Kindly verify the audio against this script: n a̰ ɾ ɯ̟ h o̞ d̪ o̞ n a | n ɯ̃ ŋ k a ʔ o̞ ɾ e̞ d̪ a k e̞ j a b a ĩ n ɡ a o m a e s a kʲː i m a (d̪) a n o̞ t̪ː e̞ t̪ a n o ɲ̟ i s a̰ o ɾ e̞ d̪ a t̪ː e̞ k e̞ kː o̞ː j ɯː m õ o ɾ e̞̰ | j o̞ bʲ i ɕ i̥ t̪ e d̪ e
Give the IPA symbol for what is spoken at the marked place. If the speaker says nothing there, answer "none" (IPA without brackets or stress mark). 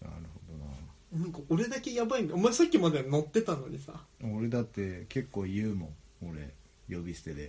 d̪